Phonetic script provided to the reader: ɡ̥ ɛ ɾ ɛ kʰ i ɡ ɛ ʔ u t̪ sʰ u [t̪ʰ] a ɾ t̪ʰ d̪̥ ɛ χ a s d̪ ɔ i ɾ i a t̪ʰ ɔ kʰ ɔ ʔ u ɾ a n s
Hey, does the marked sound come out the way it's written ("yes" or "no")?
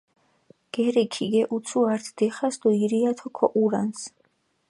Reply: no